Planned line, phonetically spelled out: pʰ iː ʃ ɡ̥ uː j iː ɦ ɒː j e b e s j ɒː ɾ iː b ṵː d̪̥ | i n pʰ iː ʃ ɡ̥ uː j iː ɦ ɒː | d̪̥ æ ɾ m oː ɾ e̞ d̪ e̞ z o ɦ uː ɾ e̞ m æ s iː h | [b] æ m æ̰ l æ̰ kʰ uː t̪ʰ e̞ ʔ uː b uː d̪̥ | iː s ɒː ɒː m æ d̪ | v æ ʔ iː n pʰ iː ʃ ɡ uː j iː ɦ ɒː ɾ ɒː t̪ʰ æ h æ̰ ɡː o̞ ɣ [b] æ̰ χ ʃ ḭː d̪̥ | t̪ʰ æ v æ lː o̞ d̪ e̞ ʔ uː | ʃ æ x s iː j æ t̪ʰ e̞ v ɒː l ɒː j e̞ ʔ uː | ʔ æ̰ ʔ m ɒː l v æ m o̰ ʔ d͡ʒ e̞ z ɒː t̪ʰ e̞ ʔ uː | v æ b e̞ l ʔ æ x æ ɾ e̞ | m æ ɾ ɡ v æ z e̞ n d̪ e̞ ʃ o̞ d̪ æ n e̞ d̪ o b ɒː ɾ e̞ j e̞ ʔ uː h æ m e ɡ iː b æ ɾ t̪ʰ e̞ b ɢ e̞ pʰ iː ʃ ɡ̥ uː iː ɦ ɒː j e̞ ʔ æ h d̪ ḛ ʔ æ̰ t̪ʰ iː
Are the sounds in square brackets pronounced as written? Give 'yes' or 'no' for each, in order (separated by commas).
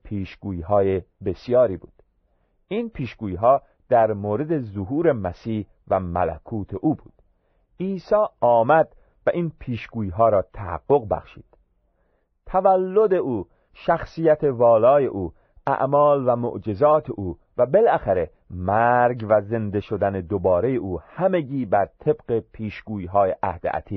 no, yes